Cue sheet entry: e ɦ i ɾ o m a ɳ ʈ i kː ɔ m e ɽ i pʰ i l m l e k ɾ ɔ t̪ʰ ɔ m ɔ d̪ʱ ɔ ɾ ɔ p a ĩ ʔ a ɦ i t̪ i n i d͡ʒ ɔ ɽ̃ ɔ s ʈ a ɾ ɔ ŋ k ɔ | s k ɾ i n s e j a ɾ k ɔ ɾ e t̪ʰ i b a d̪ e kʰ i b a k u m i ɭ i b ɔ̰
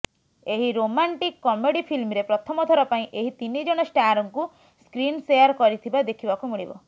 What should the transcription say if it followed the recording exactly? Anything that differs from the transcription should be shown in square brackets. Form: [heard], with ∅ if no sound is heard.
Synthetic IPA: e ɦ i ɾ o m a ɳ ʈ i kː ɔ m e ɽ i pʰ i l m [ɾ] e [p] ɾ ɔ t̪ʰ ɔ m ɔ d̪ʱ ɔ ɾ ɔ p a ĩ ʔ [e] ɦ i t̪ i n i d͡ʒ ɔ ɽ̃ ɔ s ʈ a ɾ ɔ ŋ k [u] | s k ɾ i n s e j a ɾ k ɔ ɾ [i] t̪ʰ i b a d̪ e kʰ i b a k u m i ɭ i b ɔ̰

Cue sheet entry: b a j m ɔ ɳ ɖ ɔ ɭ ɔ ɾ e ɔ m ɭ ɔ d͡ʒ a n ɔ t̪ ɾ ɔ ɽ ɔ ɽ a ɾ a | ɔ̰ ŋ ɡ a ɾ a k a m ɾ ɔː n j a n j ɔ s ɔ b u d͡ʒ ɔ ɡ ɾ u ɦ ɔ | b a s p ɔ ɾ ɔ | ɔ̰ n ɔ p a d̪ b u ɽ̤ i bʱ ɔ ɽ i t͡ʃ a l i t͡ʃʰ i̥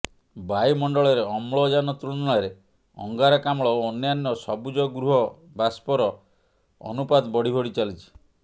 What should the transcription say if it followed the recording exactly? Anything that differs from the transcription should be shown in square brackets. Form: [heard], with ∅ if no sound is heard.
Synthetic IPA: b a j m ɔ ɳ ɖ ɔ ɭ ɔ ɾ e ɔ m ɭ ɔ d͡ʒ a n ɔ t̪ ɾ [u] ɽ ɔ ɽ a ɾ [e] | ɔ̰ ŋ ɡ a ɾ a k a m [ɭ] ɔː n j a n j ɔ s ɔ b u d͡ʒ ɔ ɡ ɾ u ɦ ɔ | b a s p ɔ ɾ ɔ | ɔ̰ n [u] p a d̪ b [ɔ] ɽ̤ i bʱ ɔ ɽ i t͡ʃ a l i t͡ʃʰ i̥

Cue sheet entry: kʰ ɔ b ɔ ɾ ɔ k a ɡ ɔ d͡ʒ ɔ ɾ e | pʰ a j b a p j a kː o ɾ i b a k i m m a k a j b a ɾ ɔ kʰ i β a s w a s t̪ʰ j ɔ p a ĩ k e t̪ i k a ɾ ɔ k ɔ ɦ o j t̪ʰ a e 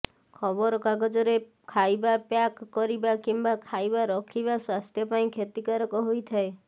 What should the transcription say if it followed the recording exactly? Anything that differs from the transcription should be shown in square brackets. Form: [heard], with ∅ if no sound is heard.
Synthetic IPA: kʰ ɔ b ɔ ɾ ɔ k a ɡ ɔ d͡ʒ ɔ ɾ e | [kʰ] a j b a p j a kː [ɔ] ɾ i b a k i m [b] a [kʰ] a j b a ɾ ɔ kʰ i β a s w a s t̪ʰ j ɔ p a ĩ [kʰ] e t̪ i k a ɾ ɔ k ɔ ɦ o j t̪ʰ a e

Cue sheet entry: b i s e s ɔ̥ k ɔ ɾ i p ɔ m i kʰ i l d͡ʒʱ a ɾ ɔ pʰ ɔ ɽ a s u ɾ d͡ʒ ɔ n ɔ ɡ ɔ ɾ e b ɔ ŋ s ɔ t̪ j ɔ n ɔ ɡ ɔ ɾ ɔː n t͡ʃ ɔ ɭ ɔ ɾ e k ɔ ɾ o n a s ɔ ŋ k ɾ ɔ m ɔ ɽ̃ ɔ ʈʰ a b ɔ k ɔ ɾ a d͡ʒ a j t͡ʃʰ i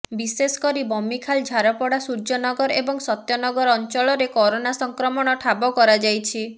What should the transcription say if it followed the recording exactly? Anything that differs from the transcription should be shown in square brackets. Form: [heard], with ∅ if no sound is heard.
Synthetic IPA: b i s e s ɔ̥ k ɔ ɾ i [b] ɔ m i kʰ [a] l d͡ʒʱ a ɾ ɔ [p] ɔ ɽ a s u ɾ d͡ʒ ɔ n ɔ ɡ ɔ ɾ e b ɔ ŋ s ɔ t̪ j ɔ n ɔ ɡ ɔ ɾ [ɔ] n t͡ʃ ɔ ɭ ɔ ɾ e k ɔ ɾ o n a s ɔ ŋ k ɾ ɔ m ɔ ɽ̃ ɔ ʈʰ a b ɔ k ɔ ɾ a d͡ʒ a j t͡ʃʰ i

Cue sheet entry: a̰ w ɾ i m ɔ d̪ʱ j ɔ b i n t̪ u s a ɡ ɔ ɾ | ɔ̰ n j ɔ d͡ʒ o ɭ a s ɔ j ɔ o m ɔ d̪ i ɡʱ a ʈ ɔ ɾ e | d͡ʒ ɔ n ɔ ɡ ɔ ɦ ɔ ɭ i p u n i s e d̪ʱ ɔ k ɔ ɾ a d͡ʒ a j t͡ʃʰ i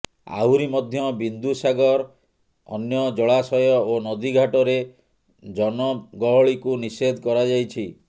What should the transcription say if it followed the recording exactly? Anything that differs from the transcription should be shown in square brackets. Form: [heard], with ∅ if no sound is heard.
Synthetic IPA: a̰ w ɾ i m ɔ d̪ʱ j ɔ b i n [d̪] u s a ɡ ɔ ɾ | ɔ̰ n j ɔ d͡ʒ [ɔ] ɭ a s ɔ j ɔ o [n] ɔ d̪ i ɡʱ a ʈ ɔ ɾ e | d͡ʒ ɔ n ɔ ɡ ɔ ɦ ɔ ɭ i [k] u n i s e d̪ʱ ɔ k ɔ ɾ a d͡ʒ a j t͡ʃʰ i

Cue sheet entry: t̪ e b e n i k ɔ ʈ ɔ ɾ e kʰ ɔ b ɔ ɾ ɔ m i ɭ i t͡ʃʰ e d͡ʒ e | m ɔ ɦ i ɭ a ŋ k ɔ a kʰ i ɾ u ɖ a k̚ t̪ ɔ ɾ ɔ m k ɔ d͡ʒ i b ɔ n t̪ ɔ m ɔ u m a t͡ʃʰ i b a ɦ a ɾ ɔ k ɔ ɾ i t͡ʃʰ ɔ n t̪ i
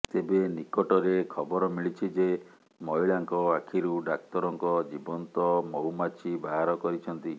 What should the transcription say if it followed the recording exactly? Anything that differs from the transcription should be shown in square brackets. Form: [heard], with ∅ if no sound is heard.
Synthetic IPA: t̪ e b e n i k ɔ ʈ ɔ ɾ e kʰ ɔ b ɔ ɾ ɔ m i ɭ i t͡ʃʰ [i] d͡ʒ e | m ɔ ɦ i ɭ a ŋ k ɔ a kʰ i ɾ u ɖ a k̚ t̪ ɔ ɾ ɔ [ŋ] k ɔ d͡ʒ i b ɔ n t̪ ɔ m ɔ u m a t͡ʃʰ i b a ɦ a ɾ ɔ k ɔ ɾ i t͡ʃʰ ɔ n t̪ i

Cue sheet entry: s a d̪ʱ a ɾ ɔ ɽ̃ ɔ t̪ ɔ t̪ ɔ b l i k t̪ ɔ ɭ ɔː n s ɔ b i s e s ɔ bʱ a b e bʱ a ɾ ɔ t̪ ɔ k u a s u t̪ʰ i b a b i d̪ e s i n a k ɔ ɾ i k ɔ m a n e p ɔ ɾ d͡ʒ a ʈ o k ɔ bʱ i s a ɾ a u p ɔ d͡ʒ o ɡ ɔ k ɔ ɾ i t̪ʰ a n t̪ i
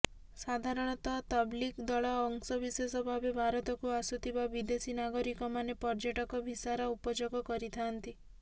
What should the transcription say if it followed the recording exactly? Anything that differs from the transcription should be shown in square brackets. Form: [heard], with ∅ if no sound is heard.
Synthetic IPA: s a d̪ʱ a ɾ ɔ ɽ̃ ɔ t̪ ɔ t̪ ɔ b l i k [d̪] ɔ ɭ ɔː [ŋ] s ɔ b i s e s ɔ bʱ a b e bʱ a ɾ ɔ t̪ ɔ k u a s u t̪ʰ i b a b i d̪ e s i n a [ɡ] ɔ ɾ i k ɔ m a n e p ɔ ɾ d͡ʒ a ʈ [ɔ] k ɔ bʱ i s a ɾ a u p ɔ d͡ʒ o ɡ ɔ k ɔ ɾ i t̪ʰ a n t̪ i

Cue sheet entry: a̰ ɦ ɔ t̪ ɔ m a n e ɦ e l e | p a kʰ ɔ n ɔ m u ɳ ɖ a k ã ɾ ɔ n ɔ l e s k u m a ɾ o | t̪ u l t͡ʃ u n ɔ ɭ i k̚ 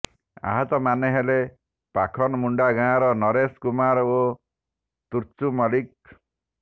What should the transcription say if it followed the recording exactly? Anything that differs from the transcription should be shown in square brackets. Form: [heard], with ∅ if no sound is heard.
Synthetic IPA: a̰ ɦ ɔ t̪ ɔ m a n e ɦ e l e | p a kʰ ɔ n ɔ m u ɳ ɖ a [ɡ] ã ɾ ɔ n ɔ [ɾ] e s k u m a ɾ o | t̪ u [ɾ] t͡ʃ u [m] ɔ [l] i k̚

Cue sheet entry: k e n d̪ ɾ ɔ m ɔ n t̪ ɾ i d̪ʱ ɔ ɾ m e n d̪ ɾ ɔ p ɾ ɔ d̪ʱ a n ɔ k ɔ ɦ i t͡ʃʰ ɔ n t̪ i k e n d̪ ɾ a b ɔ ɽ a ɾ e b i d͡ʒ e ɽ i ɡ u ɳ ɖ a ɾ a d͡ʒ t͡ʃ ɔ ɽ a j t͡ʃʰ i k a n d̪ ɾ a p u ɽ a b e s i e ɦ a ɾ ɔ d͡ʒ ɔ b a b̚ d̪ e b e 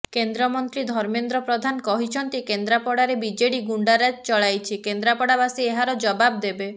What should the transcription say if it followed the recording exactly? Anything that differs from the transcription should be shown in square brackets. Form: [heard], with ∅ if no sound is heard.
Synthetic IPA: k e n d̪ ɾ ɔ m ɔ n t̪ ɾ i d̪ʱ ɔ ɾ m e n d̪ ɾ ɔ p ɾ ɔ d̪ʱ a n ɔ k ɔ ɦ i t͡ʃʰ ɔ n t̪ i k e n d̪ ɾ a [p] ɔ ɽ a ɾ e b i d͡ʒ e ɽ i ɡ u ɳ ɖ a ɾ a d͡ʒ t͡ʃ ɔ [ɭ] a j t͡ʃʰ i k [e] n d̪ ɾ a p [ɔ] ɽ a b [a] s i e ɦ a ɾ ɔ d͡ʒ ɔ b a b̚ d̪ e b e

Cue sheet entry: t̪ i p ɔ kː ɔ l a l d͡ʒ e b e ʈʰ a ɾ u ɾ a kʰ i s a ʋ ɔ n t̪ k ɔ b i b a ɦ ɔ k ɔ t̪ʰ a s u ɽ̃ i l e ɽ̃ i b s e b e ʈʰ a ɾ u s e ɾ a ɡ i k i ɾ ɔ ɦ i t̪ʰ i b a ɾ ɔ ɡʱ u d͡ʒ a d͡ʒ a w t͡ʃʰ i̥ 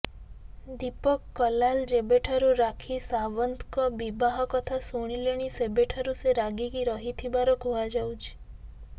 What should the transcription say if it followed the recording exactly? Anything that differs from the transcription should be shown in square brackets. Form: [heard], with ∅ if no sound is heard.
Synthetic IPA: [d̪] i p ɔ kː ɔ l a l d͡ʒ e b e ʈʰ a ɾ u ɾ a kʰ i s a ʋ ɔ n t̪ k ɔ b i b a ɦ ɔ k ɔ t̪ʰ a s u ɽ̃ i l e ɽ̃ i [∅] s e b e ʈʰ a ɾ u s e ɾ a ɡ i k i ɾ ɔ ɦ i t̪ʰ i b a ɾ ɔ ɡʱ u [∅] a d͡ʒ a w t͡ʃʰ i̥

